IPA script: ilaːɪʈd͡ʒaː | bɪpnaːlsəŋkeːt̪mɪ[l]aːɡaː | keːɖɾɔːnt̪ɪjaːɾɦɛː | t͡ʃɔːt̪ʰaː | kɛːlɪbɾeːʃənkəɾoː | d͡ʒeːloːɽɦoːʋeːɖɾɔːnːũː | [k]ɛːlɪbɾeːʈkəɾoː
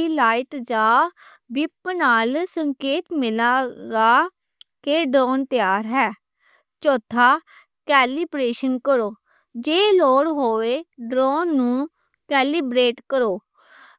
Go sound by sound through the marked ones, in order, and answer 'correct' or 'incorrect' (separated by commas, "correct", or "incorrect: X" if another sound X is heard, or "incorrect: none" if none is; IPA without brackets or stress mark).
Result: correct, correct